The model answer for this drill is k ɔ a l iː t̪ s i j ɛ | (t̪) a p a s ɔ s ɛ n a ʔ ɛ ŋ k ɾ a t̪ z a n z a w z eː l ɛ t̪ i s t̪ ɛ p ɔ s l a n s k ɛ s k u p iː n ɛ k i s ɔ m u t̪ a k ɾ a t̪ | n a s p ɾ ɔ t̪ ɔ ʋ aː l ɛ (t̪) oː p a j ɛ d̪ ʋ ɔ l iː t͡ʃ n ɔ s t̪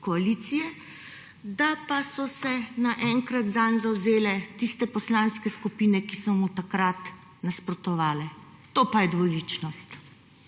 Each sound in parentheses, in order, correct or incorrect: incorrect: d̪, correct

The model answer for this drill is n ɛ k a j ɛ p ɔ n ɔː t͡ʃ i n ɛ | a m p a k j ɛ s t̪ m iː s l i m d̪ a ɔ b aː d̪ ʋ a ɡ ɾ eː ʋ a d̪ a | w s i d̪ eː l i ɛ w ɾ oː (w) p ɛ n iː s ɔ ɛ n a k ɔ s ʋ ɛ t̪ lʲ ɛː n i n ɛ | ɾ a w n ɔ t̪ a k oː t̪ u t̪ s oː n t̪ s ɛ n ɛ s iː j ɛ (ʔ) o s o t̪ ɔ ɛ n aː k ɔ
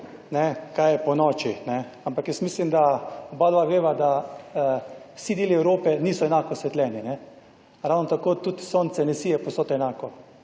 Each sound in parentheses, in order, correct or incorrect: incorrect: none, incorrect: p

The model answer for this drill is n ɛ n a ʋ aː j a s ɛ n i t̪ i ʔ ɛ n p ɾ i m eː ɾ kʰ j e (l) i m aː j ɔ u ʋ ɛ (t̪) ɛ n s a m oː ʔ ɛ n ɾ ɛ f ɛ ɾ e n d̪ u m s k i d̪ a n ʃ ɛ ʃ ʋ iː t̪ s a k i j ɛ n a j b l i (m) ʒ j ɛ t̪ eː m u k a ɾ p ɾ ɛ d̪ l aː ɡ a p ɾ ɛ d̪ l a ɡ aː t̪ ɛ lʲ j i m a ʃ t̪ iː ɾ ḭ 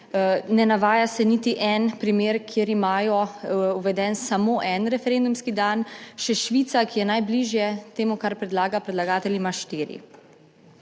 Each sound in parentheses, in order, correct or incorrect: incorrect: ɾ, incorrect: d̪, incorrect: none

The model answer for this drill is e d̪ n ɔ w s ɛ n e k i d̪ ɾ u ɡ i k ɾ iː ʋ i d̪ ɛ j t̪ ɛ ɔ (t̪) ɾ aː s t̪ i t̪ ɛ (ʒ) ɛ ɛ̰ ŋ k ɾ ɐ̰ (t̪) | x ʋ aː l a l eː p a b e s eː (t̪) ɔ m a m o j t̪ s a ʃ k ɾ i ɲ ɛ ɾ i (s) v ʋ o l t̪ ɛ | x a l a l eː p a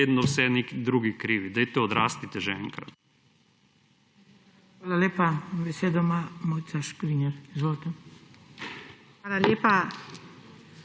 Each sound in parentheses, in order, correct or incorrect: incorrect: d̪, correct, correct, incorrect: d̪, incorrect: z

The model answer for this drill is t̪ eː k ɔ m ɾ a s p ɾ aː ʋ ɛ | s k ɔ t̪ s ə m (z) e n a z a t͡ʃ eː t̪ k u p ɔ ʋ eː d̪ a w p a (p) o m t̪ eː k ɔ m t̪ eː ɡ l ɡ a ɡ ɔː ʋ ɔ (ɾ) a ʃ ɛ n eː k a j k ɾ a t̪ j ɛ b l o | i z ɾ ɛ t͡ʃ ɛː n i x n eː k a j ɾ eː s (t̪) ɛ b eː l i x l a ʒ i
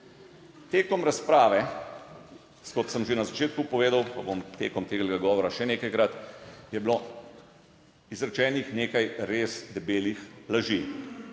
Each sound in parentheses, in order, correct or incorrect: incorrect: ʒ, incorrect: b, correct, incorrect: d̪

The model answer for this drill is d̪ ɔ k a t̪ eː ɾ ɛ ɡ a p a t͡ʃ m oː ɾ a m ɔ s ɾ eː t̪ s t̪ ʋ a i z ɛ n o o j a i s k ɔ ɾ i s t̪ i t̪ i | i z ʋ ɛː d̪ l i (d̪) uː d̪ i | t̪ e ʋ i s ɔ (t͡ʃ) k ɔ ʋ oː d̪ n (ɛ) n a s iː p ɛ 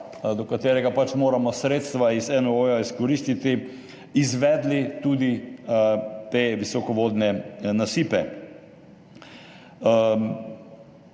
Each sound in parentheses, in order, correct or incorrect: incorrect: t̪, incorrect: none, correct

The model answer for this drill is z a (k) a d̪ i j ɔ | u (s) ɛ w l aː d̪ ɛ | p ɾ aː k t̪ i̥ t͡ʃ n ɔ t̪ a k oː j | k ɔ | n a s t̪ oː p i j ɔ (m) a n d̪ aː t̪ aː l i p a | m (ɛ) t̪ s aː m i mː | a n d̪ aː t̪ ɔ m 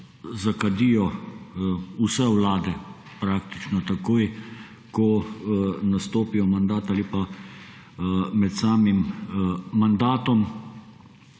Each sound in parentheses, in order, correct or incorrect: correct, correct, correct, correct

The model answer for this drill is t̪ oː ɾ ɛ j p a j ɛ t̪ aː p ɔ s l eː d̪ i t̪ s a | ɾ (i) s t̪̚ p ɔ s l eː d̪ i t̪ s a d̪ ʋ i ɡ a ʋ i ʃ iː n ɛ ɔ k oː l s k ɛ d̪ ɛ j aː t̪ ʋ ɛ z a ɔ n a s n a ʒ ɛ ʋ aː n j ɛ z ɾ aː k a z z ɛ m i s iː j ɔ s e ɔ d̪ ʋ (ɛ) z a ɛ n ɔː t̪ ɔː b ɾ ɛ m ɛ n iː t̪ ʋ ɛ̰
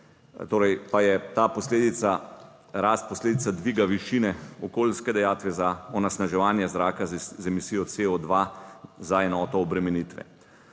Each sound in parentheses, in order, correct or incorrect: incorrect: a, incorrect: a

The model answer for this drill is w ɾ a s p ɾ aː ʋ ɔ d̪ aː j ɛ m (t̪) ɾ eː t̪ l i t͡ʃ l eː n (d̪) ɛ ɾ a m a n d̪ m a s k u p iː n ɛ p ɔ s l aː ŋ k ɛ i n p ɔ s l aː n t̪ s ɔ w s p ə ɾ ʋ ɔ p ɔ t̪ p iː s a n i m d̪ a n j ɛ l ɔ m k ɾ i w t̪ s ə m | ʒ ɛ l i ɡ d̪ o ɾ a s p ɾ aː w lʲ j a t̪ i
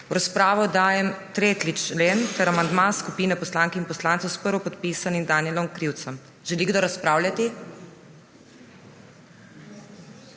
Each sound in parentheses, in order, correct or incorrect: correct, incorrect: t̪

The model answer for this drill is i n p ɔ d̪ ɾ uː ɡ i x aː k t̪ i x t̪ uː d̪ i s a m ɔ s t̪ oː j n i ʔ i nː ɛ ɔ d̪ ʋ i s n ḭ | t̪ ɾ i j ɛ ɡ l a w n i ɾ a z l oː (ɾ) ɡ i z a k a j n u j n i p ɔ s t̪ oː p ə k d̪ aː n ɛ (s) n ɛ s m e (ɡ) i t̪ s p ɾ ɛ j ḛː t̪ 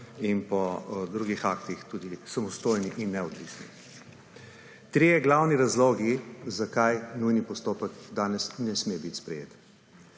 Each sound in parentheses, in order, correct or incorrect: incorrect: none, correct, incorrect: b

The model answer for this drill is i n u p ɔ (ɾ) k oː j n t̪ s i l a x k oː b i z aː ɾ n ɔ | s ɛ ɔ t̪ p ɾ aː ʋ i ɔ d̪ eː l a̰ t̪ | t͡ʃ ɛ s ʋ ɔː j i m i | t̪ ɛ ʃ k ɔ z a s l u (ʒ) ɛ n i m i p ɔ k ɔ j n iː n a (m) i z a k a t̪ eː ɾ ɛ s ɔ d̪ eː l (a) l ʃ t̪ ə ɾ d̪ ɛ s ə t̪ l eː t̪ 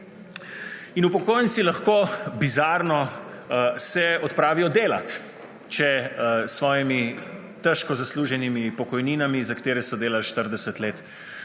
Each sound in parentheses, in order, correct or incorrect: incorrect: none, correct, correct, correct

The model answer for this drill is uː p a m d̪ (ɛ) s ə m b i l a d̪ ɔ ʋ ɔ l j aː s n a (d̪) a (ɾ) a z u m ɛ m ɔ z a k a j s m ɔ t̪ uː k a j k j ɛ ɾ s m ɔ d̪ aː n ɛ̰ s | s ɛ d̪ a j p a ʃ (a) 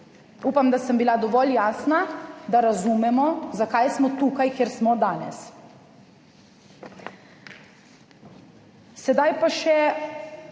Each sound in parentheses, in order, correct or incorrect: incorrect: a, correct, correct, incorrect: ɛ

